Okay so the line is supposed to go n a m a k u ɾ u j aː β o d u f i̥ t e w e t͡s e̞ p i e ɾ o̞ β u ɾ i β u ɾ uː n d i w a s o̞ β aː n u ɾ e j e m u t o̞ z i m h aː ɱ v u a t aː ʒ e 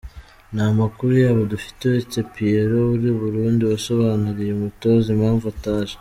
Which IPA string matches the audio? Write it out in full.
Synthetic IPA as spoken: n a m a k u ɾ u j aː β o d u f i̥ t e w e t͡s e̞ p i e ɾ o̞ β u ɾ i β u ɾ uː n d i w a s o̞ β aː n u ɾ i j e m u t o̞ z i m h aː ɱ v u a t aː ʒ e